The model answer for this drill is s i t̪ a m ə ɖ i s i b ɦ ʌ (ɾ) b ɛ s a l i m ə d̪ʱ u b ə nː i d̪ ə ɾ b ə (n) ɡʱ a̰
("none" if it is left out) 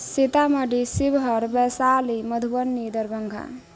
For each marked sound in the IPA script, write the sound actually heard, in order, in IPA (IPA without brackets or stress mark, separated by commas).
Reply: ɾ, ŋ